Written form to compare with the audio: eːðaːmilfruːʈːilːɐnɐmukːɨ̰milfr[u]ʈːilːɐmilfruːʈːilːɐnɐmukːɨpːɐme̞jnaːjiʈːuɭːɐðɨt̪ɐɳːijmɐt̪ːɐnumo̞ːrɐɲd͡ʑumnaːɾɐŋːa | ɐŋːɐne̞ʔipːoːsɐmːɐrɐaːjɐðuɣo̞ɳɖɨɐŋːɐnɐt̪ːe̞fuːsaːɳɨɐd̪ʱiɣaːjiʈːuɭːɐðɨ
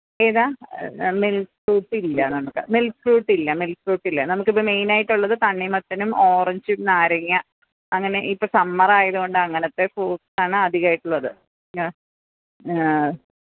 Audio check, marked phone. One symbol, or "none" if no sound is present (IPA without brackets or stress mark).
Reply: uː